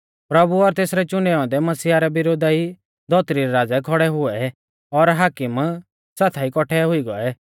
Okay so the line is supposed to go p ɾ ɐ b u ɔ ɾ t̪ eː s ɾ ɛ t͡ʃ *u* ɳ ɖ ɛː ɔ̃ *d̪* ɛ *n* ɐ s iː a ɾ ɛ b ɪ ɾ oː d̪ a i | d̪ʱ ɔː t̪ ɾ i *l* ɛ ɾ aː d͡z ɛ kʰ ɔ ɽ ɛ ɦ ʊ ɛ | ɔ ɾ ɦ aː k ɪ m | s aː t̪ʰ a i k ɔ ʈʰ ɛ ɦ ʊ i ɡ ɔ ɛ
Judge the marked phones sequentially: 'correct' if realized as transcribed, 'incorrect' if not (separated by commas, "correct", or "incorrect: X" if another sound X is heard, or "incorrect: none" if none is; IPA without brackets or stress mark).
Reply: incorrect: ʊ, correct, incorrect: m, incorrect: ɾ